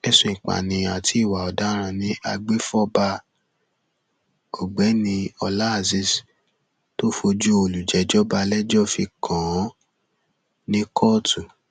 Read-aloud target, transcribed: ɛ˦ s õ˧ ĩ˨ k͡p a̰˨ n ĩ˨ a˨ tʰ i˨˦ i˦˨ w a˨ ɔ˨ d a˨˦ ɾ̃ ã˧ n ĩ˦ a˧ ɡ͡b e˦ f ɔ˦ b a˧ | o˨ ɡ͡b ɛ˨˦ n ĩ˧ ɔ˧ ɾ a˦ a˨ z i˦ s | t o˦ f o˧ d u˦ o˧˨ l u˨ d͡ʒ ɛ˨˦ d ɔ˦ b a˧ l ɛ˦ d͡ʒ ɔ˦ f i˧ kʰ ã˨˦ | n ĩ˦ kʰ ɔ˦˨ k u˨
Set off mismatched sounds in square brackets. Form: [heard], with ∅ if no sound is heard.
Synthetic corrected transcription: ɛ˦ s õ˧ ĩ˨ k͡p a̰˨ n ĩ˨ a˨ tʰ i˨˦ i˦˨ w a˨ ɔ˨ d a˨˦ ɾ̃ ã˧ n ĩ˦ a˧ ɡ͡b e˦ f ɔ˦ b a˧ | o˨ ɡ͡b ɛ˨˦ n ĩ˧ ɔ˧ [l] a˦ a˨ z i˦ s | t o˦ f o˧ [d͡ʒ] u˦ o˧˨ l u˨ d͡ʒ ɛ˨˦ [d͡ʒ] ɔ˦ b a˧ l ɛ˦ d͡ʒ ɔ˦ f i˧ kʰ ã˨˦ | n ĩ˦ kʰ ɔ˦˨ [t] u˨

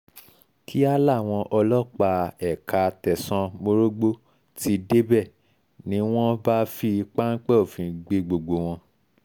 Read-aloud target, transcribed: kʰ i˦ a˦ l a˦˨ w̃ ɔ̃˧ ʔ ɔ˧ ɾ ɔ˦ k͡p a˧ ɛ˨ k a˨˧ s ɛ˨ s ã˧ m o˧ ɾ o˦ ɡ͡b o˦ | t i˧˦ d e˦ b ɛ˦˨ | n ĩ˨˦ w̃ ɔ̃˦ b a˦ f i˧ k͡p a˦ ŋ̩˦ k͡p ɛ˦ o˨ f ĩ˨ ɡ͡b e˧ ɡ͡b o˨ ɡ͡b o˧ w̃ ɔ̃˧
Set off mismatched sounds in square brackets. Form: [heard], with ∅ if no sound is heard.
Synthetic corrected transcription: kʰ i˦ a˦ l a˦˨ w̃ ɔ̃˧ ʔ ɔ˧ [l] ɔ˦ k͡p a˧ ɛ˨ k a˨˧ [t] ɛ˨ s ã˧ m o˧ ɾ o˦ ɡ͡b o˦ | t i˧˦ d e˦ b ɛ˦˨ | n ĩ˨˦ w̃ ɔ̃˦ b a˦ f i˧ k͡p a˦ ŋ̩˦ k͡p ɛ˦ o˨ f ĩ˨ ɡ͡b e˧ ɡ͡b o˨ ɡ͡b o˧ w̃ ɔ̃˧

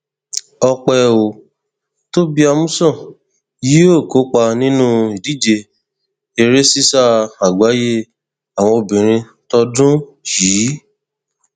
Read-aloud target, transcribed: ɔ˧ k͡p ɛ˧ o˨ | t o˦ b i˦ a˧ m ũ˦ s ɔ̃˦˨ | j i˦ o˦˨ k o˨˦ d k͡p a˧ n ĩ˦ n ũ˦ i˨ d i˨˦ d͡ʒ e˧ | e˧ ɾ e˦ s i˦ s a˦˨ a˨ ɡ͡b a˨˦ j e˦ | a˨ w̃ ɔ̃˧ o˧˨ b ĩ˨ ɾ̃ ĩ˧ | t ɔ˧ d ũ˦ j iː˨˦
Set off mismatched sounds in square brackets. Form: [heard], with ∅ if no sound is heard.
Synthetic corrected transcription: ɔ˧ k͡p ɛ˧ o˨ | t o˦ b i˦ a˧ m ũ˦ s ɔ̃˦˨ | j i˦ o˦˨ k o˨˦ [∅] k͡p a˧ n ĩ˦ n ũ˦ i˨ d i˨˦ d͡ʒ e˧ | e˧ ɾ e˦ s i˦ s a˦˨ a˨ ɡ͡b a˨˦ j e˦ | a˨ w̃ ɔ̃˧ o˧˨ b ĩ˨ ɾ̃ ĩ˧ | t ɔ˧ d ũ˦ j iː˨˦

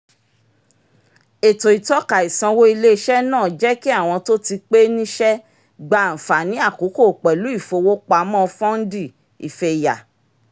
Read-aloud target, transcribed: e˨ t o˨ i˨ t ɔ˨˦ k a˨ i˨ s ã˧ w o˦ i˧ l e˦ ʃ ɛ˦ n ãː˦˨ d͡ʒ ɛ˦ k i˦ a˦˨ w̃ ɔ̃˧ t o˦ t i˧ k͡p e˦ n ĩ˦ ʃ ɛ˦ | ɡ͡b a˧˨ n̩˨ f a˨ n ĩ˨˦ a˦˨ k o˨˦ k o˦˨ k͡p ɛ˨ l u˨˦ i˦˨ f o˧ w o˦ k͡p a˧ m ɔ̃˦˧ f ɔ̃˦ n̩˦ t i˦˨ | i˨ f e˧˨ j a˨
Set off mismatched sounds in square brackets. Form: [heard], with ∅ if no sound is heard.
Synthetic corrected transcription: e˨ t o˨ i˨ t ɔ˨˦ k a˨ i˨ s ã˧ w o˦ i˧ l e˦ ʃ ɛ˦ n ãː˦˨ d͡ʒ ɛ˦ k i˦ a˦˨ w̃ ɔ̃˧ t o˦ t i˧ k͡p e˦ n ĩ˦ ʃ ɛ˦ | ɡ͡b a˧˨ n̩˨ f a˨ n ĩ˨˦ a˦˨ k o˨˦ k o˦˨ k͡p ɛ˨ l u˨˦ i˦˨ f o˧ w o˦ k͡p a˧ m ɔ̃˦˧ f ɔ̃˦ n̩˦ [d] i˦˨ | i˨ f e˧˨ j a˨

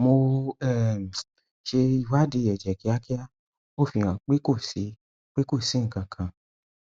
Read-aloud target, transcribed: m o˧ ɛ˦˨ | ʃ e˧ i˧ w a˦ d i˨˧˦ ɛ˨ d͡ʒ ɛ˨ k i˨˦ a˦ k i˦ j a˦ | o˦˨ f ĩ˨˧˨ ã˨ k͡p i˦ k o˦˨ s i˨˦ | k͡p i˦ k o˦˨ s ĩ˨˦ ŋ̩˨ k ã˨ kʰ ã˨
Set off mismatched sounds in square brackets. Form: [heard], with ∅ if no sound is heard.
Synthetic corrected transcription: m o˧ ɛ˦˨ | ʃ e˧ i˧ w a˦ d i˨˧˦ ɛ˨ d͡ʒ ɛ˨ k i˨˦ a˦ k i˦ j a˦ | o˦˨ f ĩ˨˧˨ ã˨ k͡p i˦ k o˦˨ s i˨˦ | k͡p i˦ k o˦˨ s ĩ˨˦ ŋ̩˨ k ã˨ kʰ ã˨

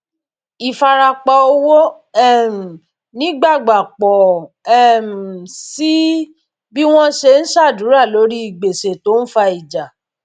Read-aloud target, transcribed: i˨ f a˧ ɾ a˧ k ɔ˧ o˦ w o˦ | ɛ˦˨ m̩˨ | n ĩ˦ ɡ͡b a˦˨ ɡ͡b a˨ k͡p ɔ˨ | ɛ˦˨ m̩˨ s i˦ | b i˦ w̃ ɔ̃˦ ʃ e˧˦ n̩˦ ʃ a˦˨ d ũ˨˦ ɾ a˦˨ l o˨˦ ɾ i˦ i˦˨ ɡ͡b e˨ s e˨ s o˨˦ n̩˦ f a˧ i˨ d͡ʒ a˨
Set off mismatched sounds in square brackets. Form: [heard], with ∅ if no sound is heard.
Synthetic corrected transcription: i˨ f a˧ ɾ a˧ [k͡p] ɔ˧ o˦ w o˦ | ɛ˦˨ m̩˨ | n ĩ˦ ɡ͡b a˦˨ ɡ͡b a˨ k͡p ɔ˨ | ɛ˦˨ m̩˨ s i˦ | b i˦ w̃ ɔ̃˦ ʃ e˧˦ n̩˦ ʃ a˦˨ d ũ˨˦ ɾ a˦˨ l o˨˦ ɾ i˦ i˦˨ ɡ͡b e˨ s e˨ [t] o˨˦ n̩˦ f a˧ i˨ d͡ʒ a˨

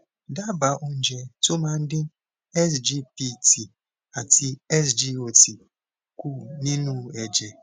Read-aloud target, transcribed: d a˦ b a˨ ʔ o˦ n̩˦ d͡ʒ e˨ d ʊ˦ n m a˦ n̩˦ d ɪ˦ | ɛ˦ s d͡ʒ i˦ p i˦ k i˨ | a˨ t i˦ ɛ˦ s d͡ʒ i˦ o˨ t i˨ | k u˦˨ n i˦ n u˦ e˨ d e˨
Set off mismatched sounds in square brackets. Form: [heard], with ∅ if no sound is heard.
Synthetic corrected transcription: d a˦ b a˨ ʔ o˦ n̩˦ d͡ʒ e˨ [t] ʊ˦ [∅] m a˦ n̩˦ d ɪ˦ | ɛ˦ s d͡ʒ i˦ p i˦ [t] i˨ | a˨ t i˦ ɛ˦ s d͡ʒ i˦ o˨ t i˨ | k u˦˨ n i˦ n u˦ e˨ [d͡ʒ] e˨

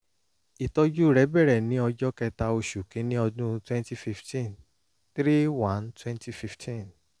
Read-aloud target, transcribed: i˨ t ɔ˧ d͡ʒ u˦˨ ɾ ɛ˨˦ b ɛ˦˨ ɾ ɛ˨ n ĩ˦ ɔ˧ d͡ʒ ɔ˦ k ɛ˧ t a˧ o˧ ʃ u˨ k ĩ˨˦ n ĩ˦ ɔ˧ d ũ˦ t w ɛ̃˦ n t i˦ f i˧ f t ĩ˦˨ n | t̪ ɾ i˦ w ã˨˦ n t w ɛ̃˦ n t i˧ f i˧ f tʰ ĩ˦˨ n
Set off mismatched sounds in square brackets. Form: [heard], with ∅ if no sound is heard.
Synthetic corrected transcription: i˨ t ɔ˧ d͡ʒ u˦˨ ɾ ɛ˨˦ b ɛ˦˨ ɾ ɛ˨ n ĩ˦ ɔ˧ d͡ʒ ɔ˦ k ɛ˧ t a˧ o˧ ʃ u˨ k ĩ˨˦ n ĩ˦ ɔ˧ d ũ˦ t w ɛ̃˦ n t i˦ f i˧ f t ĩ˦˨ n | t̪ ɾ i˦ w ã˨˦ n t w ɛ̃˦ n t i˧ f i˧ f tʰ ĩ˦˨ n

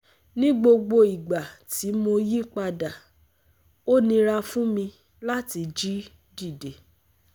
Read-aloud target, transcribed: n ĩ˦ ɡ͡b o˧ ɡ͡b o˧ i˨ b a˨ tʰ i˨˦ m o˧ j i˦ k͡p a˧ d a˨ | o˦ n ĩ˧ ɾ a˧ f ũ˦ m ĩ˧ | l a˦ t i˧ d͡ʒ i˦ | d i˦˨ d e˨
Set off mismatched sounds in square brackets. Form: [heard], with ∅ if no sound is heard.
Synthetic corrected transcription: n ĩ˦ ɡ͡b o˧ ɡ͡b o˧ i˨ [ɡ͡b] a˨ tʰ i˨˦ m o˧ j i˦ k͡p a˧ d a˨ | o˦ n ĩ˧ ɾ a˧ f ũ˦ m ĩ˧ | l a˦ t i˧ d͡ʒ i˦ | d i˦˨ d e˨

